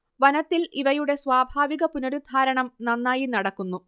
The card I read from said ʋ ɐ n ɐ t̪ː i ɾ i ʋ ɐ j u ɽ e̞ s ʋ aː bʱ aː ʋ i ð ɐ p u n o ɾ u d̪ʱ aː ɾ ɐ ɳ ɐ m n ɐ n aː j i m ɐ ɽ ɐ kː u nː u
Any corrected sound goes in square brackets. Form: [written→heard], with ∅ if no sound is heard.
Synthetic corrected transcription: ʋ ɐ n ɐ t̪ː i [ɾ→l] i ʋ ɐ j u ɽ e̞ s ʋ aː bʱ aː ʋ i [ð→ɣ] ɐ p u n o ɾ u d̪ʱ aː ɾ ɐ ɳ ɐ m n ɐ [n→nː] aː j i [m→n] ɐ ɽ ɐ kː u nː u

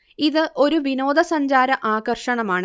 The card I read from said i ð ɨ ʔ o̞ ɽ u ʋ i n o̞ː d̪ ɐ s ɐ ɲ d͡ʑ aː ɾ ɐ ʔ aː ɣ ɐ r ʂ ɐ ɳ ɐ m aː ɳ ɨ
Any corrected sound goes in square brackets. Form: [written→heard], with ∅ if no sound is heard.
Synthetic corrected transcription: i ð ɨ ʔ o̞ [ɽ→ɾ] u ʋ i n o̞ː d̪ ɐ s ɐ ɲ d͡ʑ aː ɾ ɐ ʔ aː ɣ ɐ r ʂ ɐ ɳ ɐ m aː ɳ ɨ

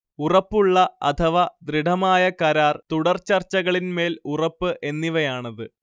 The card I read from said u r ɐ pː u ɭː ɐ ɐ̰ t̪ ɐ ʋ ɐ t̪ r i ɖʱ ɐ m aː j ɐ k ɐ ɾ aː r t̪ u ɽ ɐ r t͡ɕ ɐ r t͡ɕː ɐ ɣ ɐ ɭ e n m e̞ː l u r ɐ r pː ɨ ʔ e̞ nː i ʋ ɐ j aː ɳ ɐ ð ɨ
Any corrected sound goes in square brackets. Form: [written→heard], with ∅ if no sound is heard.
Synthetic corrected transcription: u r ɐ pː u ɭː ɐ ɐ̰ [t̪→t̪ʰ] ɐ ʋ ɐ [t̪→d̪] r i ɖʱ ɐ m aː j ɐ k ɐ ɾ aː r t̪ u ɽ ɐ r t͡ɕ ɐ r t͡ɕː ɐ ɣ ɐ ɭ [e→i] n m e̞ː l u r ɐ [r→∅] pː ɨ ʔ e̞ nː i ʋ ɐ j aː ɳ ɐ ð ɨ

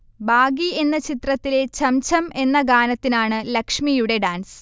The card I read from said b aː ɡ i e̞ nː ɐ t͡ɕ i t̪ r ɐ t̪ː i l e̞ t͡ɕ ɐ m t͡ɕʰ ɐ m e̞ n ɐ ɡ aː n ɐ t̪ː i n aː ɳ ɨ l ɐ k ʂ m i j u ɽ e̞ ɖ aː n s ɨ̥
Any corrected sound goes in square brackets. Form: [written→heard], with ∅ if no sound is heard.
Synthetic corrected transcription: b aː ɡ i e̞ nː ɐ t͡ɕ i t̪ r ɐ t̪ː i l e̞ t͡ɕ ɐ m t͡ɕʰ ɐ m e̞ [n→nː] ɐ ɡ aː n ɐ t̪ː i n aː ɳ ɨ l ɐ k ʂ m i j u ɽ e̞ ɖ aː n s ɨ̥

